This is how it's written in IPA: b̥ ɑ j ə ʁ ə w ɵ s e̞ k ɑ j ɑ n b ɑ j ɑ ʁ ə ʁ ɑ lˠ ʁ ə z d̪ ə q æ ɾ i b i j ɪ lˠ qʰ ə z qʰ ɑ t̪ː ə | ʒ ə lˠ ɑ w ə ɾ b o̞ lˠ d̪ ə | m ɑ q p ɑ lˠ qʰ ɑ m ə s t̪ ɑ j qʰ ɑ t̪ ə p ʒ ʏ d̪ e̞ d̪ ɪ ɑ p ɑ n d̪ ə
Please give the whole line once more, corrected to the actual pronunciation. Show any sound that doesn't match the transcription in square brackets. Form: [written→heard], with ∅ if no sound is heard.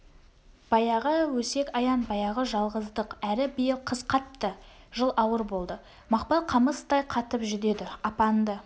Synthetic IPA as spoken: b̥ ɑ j [ə→ɑ] ʁ ə w ɵ s e̞ k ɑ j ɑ n b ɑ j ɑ ʁ ə [ʁ→ʒ] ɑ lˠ ʁ ə z d̪ ə q æ ɾ [i→ɪ] b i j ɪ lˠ qʰ ə z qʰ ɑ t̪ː ə | ʒ ə lˠ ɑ w ə ɾ b o̞ lˠ d̪ ə | m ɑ q p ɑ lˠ qʰ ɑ m ə s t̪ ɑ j qʰ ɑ t̪ ə p ʒ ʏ d̪ e̞ d̪ ɪ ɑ p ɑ n d̪ ə